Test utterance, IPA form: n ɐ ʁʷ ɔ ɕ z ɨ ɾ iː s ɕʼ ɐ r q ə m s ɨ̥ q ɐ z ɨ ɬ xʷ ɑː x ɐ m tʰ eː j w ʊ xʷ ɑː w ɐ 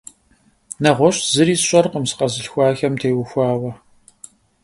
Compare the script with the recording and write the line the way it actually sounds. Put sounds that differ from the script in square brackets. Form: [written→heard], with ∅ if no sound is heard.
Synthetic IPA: n ɐ ʁʷ ɔ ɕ z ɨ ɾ iː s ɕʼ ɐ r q ə m s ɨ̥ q ɐ z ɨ ɬ xʷ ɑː x ɐ m tʰ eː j w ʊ xʷ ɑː w ɐ

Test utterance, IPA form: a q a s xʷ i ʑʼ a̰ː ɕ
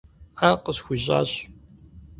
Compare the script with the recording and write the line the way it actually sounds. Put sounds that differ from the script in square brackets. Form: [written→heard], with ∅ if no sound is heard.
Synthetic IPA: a q [a→ə] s xʷ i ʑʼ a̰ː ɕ

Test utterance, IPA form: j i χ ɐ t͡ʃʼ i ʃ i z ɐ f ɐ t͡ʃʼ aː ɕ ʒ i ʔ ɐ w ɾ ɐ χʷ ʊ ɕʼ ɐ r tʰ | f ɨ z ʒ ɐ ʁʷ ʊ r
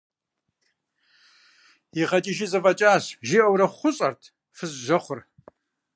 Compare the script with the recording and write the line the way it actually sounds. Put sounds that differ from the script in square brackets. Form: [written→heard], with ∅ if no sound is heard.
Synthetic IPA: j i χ ɐ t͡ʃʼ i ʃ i z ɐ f ɐ t͡ʃʼ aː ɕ ʒ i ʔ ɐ w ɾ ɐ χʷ ʊ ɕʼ ɐ r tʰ | f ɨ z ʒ ɐ [ʁʷ→χʷ] ʊ r

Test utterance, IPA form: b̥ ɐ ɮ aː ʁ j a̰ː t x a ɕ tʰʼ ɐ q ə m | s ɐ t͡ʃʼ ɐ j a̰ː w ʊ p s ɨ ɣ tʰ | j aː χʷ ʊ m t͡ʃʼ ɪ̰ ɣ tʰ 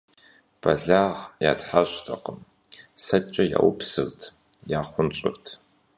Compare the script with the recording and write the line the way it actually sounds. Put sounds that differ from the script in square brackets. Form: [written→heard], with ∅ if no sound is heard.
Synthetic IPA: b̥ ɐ ɮ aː ʁ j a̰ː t [x→ħ] a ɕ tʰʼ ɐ q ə m | s ɐ t͡ʃʼ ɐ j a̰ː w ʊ p s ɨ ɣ tʰ | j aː χʷ ʊ [m→n] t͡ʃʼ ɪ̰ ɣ tʰ

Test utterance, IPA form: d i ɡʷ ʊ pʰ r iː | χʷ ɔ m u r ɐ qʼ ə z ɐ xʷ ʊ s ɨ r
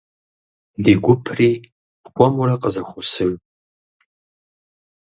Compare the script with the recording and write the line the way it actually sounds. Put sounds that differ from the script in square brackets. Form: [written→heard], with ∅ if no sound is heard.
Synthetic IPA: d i ɡʷ ʊ pʰ r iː | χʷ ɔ m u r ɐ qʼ ə z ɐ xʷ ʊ s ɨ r

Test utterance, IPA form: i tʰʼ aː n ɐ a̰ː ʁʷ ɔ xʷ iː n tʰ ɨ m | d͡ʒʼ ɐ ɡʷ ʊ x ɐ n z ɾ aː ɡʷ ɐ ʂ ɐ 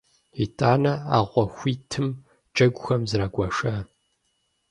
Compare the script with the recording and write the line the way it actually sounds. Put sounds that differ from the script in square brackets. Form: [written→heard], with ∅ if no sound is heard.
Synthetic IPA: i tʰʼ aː n ɐ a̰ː ʁʷ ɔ xʷ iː [n→∅] tʰ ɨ m | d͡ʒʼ ɐ ɡʷ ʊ x ɐ [n→m] z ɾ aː ɡʷ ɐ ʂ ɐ

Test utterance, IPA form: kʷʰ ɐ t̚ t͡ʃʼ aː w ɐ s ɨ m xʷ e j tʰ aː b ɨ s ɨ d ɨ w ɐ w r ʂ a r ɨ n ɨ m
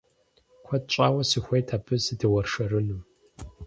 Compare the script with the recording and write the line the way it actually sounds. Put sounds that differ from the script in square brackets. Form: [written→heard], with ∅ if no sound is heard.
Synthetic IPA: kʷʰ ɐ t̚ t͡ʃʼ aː w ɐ s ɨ [m→∅] xʷ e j tʰ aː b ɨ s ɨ d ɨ w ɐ [w→∅] r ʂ [a→ɐ] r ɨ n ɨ m

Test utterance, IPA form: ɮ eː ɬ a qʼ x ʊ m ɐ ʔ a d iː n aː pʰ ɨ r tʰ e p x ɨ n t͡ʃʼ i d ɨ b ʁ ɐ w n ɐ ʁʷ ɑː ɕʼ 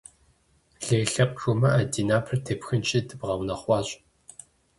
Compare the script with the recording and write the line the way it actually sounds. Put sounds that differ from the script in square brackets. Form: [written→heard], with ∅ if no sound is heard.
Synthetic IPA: ɮ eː ɬ [a→ɐ] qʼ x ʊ m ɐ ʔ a d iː n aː pʰ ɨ r tʰ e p x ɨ n t͡ʃʼ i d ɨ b ʁ ɐ w n ɐ [ʁʷ→χʷ] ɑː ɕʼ

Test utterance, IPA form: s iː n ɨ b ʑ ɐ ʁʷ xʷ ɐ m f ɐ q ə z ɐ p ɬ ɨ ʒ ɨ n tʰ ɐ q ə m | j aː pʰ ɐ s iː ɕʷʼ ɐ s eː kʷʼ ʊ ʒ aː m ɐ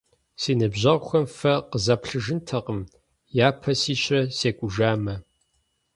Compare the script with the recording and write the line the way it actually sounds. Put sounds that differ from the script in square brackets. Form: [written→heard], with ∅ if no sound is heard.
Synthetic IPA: s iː n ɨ b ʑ ɐ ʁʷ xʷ ɐ m f ɐ q ə z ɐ p ɬ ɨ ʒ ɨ n tʰ ɐ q ə m | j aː pʰ ɐ s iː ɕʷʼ ɐ s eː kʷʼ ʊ ʒ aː m ɐ

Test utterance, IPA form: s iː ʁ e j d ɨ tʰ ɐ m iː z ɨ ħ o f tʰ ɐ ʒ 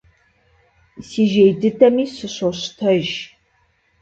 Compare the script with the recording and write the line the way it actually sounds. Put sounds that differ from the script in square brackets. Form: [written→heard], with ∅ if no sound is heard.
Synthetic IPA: s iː [ʁ→ʒ] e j d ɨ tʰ ɐ m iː [z→s] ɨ [ħ→ɕ] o [f→ɕ] tʰ ɐ ʒ

